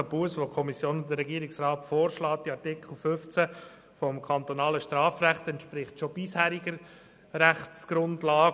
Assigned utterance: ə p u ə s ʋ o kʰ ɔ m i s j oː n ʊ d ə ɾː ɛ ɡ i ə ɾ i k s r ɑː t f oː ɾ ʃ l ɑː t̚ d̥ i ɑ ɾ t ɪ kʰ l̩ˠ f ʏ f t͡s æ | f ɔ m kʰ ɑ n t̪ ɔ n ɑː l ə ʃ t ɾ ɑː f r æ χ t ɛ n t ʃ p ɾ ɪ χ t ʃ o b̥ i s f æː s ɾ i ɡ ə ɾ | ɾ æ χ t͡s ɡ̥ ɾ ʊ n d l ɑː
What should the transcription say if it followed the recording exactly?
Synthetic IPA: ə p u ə s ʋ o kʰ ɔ m i s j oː n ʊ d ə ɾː ɛ ɡ i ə ɾ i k s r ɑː t f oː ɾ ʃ l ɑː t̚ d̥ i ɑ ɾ t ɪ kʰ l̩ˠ f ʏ f t͡s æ | f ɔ m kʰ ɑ n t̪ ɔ n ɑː l ə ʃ t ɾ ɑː f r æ χ t ɛ n t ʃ p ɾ ɪ χ t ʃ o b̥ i s h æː ɾ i ɡ ə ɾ | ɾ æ χ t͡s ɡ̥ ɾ ʊ n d l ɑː